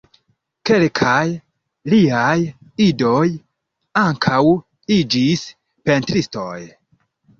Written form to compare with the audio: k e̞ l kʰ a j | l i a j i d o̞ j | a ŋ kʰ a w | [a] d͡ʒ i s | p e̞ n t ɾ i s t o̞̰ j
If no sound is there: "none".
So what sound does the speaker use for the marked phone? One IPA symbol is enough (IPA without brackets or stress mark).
i